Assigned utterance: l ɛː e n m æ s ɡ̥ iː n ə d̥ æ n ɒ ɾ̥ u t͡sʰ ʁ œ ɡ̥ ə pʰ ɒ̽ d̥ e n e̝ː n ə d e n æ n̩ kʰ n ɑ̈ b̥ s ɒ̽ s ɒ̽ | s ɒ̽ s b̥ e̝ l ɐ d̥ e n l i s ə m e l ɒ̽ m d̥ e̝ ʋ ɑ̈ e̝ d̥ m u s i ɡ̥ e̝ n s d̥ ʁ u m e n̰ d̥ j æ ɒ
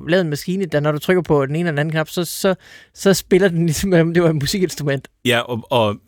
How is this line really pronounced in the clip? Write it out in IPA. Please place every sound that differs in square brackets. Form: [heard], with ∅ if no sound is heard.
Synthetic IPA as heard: l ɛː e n m æ s ɡ̥ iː n ə d̥ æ n ɒ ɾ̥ u t͡sʰ ʁ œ ɡ̥ [ɐ] pʰ ɒ̽ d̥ e n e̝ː n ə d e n æ n̩ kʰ n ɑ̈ b̥ s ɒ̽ s ɒ̽ | s ɒ̽ s b̥ e̝ l ɐ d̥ e n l i s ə m e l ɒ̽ m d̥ e̝ ʋ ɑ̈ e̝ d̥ m u s i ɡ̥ e̝ n s d̥ ʁ u m e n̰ d̥ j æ ɒ